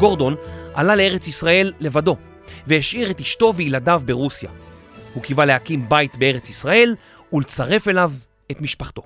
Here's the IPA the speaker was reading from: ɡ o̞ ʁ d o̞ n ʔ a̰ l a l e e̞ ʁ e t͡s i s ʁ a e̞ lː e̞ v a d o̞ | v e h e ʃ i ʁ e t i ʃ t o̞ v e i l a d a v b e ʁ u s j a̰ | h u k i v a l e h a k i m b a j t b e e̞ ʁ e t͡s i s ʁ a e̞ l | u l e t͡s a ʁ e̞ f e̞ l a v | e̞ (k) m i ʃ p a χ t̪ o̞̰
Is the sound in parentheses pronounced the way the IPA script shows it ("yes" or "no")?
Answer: no